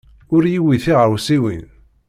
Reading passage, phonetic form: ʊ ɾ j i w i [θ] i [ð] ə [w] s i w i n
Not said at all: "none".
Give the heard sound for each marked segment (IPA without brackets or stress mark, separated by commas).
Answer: θ, ʁ, w